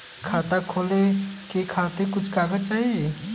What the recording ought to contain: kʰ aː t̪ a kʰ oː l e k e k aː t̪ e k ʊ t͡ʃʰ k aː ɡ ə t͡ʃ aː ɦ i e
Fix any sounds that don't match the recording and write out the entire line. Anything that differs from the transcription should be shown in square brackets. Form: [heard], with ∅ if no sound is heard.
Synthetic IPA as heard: kʰ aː t̪ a kʰ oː l e k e [kʰ] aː t̪ e k ʊ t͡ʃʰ k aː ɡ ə t͡ʃ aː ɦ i e